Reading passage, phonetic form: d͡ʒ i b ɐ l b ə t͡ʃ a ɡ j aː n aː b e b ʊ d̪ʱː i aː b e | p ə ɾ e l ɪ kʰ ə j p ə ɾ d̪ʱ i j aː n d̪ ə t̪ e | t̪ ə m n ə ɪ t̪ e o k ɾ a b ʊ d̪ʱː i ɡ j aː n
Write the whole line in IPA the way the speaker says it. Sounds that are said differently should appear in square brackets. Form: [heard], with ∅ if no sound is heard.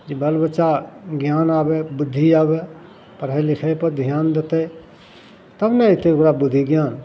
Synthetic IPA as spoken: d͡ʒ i b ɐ l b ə t͡ʃ a ɡ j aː n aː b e b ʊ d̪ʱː i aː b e | p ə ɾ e l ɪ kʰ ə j p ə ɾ d̪ʱ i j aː n d̪ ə t̪ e | t̪ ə [b] n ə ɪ t̪ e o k ɾ a b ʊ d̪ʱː i ɡ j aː n

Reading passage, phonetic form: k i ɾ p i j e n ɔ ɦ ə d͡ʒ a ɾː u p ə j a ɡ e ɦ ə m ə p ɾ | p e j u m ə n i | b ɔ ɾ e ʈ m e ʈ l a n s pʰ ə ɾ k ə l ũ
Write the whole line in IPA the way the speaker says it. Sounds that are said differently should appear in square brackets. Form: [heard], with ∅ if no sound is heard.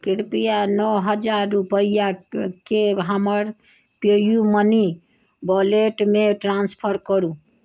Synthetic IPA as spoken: k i ɾ p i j [a] n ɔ ɦ ə d͡ʒ a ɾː u p ə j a [k] e ɦ ə m ə [∅] ɾ | p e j u m ə n i | b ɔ [l] e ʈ m e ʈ [ɾ] a n s pʰ ə ɾ k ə [ɾ] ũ

